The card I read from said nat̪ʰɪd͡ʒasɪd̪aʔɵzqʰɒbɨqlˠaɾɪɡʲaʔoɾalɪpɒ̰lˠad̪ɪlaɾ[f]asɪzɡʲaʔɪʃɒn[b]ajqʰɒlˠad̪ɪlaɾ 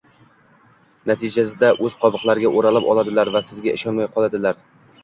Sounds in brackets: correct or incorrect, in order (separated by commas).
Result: incorrect, incorrect